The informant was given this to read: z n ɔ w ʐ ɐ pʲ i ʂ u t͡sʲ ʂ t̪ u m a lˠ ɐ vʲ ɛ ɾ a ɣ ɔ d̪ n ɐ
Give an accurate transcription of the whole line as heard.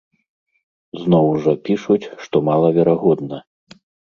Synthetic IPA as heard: z n ɔ w ʐ ɐ pʲ i ʂ u t͡sʲ ʂ t̪ ɔ m a lˠ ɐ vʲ ɛ ɾ a ɣ ɔ d̪ n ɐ

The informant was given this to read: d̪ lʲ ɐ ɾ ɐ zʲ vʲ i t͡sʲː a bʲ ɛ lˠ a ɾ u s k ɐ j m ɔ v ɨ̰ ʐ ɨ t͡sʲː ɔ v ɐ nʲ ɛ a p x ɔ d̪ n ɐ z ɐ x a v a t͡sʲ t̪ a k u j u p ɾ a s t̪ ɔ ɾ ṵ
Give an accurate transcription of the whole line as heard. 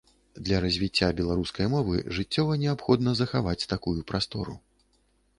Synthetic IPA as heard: d̪ lʲ ɐ ɾ ɐ zʲ vʲ i t͡sʲː a bʲ ɛ lˠ a ɾ u s k ɐ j m ɔ v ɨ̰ ʐ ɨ t͡sʲː ɔ v ɐ nʲ ɛ a p x ɔ d̪ n ɐ z ɐ x a v a t͡sʲ t̪ a k u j u p ɾ a s t̪ ɔ ɾ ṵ

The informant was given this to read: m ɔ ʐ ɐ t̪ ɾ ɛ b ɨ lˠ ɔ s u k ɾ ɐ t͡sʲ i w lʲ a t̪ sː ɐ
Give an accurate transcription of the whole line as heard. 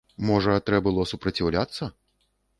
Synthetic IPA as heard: m ɔ ʐ ɐ t̪ ɾ ɛ b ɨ lˠ ɔ s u p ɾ ɐ t͡sʲ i w lʲ a t̪ sː ɐ

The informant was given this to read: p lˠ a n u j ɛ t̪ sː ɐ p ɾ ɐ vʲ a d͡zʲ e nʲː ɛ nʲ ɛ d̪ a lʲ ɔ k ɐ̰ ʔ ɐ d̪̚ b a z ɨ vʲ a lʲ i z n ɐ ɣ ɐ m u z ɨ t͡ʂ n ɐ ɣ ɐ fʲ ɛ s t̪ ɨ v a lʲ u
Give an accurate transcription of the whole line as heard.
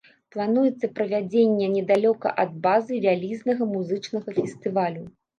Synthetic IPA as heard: p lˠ a n u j ɛ t̪ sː ɐ p ɾ ɐ vʲ a d͡zʲ e nʲː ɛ nʲ ɛ d̪ a lʲ ɔ k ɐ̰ ʔ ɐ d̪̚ b a z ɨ vʲ a lʲ i z n ɐ ɣ ɐ m u z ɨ t͡ʂ n ɐ ɣ ɐ fʲ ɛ s t̪ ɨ v a lʲ u

